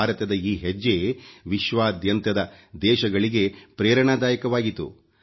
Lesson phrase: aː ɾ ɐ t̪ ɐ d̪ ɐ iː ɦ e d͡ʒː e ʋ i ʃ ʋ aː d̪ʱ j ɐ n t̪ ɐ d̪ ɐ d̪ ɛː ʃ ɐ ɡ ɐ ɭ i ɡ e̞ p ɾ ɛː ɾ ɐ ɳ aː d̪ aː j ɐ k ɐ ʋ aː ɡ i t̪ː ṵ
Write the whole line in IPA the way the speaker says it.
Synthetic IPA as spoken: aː ɾ ɐ t̪ ɐ d̪ ɐ iː ɦ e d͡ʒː e ʋ i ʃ ʋ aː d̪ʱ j ɐ n t̪ ɐ d̪ ɐ d̪ ɛː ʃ ɐ ɡ ɐ ɭ i ɡ e̞ p ɾ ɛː ɾ ɐ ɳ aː d̪ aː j ɐ k ɐ ʋ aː ɡ i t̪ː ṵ